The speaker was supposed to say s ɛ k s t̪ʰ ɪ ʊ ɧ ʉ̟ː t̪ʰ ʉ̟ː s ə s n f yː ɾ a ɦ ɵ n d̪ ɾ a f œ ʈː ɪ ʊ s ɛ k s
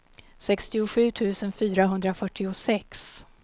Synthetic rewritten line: s ɛ k s t̪ ɪ ʊ ɧ ʉ̟ː t̪ʰ ʉ̟ː s ə n f yː ɾ a ɦ ɵ n d̪ ɾ a f œ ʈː ɪ ʊ s ɛ k s